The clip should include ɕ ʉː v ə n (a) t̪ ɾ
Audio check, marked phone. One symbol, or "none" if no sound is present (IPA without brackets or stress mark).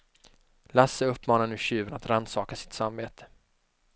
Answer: a